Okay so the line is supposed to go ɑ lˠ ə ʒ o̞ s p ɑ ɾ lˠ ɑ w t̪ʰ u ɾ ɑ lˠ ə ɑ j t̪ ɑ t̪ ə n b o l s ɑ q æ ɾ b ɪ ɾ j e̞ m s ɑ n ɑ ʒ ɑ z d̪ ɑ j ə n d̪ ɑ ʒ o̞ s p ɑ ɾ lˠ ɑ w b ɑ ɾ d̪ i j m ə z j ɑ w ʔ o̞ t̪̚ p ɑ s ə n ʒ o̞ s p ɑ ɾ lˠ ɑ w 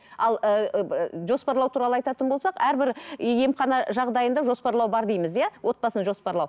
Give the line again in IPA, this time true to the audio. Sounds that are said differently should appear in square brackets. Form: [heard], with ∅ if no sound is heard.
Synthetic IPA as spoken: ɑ lˠ ə ʒ o̞ s p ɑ ɾ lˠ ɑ w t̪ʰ u ɾ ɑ lˠ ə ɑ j t̪ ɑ t̪ ə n b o l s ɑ q æ ɾ b ɪ ɾ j e̞ m [χ] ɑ n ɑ ʒ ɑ [ʁ] d̪ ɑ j ə n d̪ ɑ ʒ o̞ s p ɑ ɾ lˠ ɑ w b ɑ ɾ d̪ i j m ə z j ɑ w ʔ o̞ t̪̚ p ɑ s ə n ʒ o̞ s p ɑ ɾ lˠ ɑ w